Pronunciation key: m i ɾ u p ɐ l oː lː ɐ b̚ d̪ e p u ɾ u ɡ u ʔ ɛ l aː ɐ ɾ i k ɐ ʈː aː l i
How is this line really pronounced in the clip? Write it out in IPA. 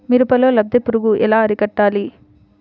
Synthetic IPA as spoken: m i ɾ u p ɐ l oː l ɐ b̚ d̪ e p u ɾ u ɡ u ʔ ɛ l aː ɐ ɾ i k ɐ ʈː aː l i

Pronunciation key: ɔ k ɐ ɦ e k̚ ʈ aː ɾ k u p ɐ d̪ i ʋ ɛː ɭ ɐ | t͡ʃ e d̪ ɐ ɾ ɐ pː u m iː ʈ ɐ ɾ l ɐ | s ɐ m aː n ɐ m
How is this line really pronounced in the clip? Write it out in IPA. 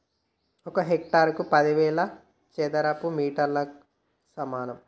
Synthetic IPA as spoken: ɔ k ɐ ɦ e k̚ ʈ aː ɾ k u p ɐ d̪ i ʋ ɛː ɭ ɐ | t͡ʃ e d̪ ɐ ɾ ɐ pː u m iː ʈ ɐ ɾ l ɐ | s ɐ m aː n ɐ m

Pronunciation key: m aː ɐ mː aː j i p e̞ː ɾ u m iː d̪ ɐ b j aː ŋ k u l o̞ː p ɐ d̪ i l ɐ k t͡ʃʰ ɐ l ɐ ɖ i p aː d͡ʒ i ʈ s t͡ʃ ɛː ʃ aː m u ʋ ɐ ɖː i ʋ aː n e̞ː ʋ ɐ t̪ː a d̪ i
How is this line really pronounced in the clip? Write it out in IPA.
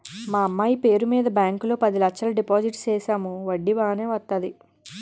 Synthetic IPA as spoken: m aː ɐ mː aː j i p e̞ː ɾ u m iː d̪ ɐ b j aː ŋ k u l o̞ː p ɐ d̪ i l ɐ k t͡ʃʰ ɐ l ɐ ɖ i p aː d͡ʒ i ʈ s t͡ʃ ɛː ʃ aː m u ʋ ɐ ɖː i ʋ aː n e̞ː ʋ ɐ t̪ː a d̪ i

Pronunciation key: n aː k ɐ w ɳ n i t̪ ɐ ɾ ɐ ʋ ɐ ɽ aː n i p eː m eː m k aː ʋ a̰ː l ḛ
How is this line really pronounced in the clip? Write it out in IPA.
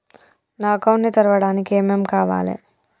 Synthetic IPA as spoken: n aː k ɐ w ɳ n i t̪ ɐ ɾ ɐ ʋ ɐ ɽ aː n i k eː m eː m k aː ʋ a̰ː l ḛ

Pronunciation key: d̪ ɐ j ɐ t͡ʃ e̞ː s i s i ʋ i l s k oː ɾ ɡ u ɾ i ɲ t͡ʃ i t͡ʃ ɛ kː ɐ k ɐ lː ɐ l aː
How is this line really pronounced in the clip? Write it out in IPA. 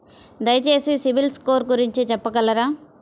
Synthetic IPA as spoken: d̪ ɐ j ɐ t͡ʃ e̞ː s i s i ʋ i l s k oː ɾ ɡ u ɾ i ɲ t͡ʃ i t͡ʃ ɛ pː ɐ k ɐ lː ɐ ɾ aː

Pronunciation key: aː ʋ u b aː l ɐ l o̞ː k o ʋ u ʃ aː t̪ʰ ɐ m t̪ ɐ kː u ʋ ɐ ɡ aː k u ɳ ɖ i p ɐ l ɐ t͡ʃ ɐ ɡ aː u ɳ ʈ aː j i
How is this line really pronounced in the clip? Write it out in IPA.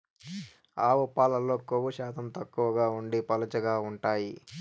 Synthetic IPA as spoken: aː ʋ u p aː l ɐ l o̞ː k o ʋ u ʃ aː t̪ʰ ɐ m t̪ ɐ kː u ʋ ɐ ɡ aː u ɳ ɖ i p ɐ l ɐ t͡ʃ ɐ ɡ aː u ɳ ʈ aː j i

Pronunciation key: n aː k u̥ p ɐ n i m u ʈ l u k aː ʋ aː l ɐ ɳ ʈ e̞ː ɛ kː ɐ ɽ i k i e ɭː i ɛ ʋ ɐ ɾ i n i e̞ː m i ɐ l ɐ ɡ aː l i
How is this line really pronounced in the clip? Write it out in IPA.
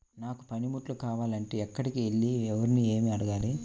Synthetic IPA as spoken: n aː k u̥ p ɐ n i m u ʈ l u k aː ʋ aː l ɐ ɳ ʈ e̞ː ɛ kː ɐ ɽ i k i e ɭː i ɛ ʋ ɐ ɾ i n i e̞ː m i ɐ ɽ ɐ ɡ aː l i

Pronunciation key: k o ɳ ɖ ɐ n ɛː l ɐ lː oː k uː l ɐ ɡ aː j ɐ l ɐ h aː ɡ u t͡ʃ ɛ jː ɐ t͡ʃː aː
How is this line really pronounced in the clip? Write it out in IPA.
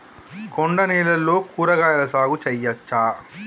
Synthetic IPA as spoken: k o ɳ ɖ ɐ n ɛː l ɐ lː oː k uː ɾ ɐ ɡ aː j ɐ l ɐ s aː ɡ u t͡ʃ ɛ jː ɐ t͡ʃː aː

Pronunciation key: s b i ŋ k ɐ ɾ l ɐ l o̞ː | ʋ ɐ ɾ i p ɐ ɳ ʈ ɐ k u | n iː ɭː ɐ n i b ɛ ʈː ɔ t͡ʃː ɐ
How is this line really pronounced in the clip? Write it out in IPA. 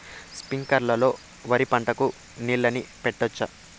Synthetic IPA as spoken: s p i ŋ k ɐ ɾ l ɐ l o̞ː | ʋ ɐ ɾ i p ɐ ɳ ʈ ɐ k u | n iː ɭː ɐ n i p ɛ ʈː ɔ t͡ʃː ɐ

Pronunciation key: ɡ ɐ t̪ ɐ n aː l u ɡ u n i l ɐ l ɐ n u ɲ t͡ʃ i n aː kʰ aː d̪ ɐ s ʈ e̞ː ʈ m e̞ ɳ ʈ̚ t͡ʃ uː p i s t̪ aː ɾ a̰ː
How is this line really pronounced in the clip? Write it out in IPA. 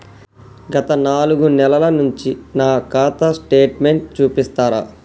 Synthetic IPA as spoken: ɡ ɐ t̪ ɐ n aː l u ɡ u n ɛ l ɐ l ɐ n u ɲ t͡ʃ i n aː k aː t̪ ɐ s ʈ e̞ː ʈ m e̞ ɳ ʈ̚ t͡ʃ uː p i s t̪ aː ɾ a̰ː

